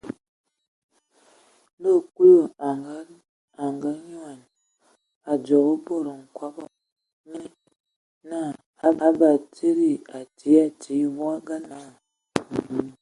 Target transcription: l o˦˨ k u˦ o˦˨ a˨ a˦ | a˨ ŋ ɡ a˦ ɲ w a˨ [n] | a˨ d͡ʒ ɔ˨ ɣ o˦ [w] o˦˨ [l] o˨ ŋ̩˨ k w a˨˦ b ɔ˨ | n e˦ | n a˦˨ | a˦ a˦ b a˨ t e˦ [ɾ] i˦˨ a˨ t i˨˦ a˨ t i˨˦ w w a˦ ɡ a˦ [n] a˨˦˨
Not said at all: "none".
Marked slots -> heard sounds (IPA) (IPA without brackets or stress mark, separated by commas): n, b, ɾ, ɾ, n